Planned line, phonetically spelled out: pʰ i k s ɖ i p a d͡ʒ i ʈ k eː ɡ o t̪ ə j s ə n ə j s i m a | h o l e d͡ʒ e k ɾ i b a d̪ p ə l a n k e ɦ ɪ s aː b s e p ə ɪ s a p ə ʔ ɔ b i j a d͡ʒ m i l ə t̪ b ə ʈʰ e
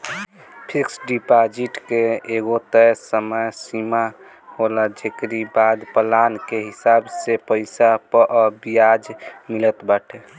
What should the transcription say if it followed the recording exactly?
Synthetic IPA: pʰ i k s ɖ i p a d͡ʒ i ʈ k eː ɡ o t̪ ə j s ə m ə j s i m a | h o l a d͡ʒ e k ɾ i b a d̪ p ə l a n k e ɦ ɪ s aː b s e p ə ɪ s a p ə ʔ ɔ b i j a d͡ʒ m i l ə t̪ b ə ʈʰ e